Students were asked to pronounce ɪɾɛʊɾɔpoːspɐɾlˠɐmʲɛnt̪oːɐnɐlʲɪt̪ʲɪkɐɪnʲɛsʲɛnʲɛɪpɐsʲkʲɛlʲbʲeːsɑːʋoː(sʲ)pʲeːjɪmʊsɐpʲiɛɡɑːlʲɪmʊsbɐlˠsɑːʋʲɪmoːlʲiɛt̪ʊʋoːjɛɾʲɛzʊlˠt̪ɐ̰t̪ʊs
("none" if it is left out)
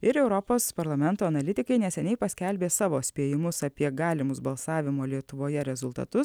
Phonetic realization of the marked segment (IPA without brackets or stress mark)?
sʲ